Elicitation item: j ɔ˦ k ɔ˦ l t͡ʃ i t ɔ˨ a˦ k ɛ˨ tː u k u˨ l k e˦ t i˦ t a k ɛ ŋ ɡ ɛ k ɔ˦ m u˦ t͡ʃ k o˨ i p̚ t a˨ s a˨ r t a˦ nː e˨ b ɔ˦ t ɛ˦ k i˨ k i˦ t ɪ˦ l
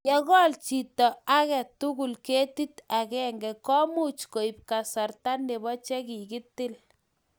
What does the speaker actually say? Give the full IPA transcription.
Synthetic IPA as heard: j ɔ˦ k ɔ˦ l t͡ʃ i t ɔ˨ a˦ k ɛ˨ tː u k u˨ l k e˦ t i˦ t a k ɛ ŋ ɡ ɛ k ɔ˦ m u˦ t͡ʃ k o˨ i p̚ k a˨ s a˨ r t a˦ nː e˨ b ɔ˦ t͡ʃ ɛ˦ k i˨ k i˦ t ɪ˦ l